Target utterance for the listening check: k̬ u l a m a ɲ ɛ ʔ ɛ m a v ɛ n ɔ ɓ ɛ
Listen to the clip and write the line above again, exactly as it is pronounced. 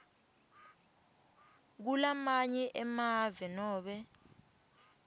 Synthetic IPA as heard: k̬ u l a m a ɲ ɛ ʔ ɛ m a v ɛ n ɔː ɓ ɛ

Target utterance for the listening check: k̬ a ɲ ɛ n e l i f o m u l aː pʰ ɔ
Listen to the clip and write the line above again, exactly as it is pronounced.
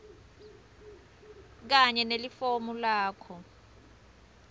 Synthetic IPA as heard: k̬ a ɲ ɛ n e l i f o m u l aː kʰ ɔ

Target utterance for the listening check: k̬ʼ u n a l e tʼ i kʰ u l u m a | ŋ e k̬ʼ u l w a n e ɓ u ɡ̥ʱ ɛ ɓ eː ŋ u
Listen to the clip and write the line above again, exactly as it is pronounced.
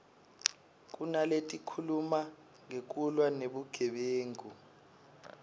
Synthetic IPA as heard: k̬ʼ u n a l e tʼ i kʰ u l u m a | ŋ e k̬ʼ u l w a n e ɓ u ɡ̥ʱ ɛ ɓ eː ŋ u

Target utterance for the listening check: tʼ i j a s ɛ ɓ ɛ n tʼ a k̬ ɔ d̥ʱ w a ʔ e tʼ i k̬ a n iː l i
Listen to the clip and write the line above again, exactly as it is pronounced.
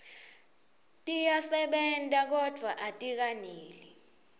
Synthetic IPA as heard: tʼ i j a s ɛ ɓ ɛ n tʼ a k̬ ɔ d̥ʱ w a ʔ a tʼ i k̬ a n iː l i

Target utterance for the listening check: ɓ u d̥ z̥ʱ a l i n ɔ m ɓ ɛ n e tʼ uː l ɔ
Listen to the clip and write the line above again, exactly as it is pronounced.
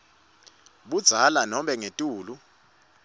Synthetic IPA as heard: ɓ u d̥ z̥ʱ a l a n ɔ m ɓ ɛ ŋ e tʼ uː l u

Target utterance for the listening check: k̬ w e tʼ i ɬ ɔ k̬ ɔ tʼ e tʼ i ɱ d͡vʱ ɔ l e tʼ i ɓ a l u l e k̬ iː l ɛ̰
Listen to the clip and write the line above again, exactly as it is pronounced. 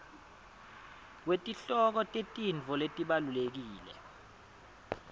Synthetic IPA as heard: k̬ w e tʼ i ɬ ɔ k̬ ɔ tʼ e tʼ i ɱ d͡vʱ ɔ l e tʼ i ɓ a l u l e k̬ iː l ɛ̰

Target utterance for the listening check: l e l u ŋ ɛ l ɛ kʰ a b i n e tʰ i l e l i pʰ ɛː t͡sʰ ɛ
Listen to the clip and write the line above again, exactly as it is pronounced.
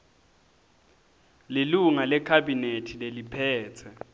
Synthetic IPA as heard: l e l u ŋ a l ɛ kʰ a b i n e tʰ i l e l i pʰ ɛː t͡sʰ ɛ

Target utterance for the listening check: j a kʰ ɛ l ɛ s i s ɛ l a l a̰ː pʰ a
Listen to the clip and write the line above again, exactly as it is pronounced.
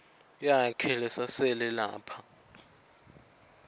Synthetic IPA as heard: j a kʰ ɛ l ɛ s a s ɛ l ɛ l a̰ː pʰ a

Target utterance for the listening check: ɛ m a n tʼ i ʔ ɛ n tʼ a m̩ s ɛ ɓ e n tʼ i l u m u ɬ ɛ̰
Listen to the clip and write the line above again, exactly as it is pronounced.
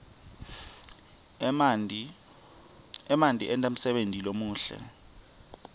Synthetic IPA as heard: ɛ m a n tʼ i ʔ ɛ n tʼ a m̩ s ɛ ɓ e n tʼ i l o m uː ɬ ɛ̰

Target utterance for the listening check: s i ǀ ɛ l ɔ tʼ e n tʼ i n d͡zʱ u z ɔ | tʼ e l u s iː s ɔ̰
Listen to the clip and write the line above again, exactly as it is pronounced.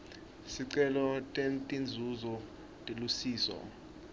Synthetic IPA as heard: s i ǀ ɛ l ɔ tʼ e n tʼ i n d͡zʱ u z ɔ | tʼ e l u s iː s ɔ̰

